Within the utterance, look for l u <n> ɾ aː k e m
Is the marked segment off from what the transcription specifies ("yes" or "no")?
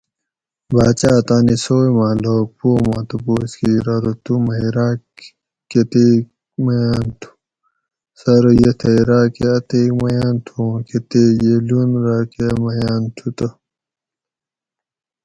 no